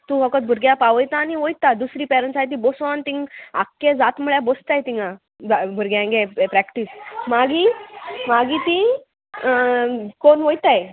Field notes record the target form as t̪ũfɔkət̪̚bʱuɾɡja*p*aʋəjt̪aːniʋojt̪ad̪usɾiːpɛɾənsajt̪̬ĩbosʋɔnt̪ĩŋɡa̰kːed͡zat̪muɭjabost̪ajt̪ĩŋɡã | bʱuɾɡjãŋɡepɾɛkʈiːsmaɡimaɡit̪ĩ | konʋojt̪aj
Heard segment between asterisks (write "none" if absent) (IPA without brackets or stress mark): p